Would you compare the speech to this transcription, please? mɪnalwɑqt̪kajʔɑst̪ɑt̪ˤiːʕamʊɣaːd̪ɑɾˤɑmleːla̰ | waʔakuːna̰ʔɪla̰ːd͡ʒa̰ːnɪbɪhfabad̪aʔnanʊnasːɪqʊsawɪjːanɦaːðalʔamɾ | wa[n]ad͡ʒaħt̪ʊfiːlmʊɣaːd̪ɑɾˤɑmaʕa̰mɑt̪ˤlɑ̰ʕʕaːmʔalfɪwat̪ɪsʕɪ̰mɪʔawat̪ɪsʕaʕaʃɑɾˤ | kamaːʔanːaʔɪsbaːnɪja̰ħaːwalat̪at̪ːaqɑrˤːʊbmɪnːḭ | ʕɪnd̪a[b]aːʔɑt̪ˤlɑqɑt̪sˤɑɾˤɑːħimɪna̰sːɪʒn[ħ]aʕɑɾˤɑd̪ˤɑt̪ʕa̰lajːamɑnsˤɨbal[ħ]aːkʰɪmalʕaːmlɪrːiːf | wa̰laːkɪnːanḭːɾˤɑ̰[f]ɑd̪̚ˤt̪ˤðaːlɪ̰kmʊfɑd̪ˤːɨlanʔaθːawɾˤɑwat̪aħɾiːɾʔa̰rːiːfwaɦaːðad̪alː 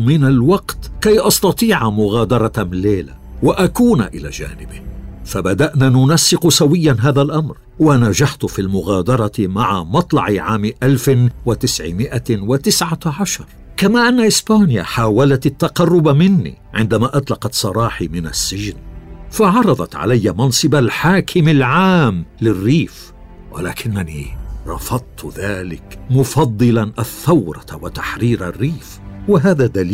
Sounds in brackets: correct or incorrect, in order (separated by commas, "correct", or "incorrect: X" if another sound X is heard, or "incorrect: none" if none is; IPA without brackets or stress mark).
correct, incorrect: m, incorrect: f, correct, correct